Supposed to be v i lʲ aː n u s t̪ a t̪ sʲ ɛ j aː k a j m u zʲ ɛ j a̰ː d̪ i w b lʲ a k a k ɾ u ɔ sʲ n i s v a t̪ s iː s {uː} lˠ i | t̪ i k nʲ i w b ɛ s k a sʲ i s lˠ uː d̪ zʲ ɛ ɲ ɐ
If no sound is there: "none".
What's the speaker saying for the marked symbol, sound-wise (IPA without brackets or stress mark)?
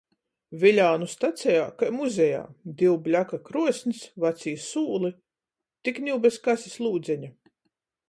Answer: uː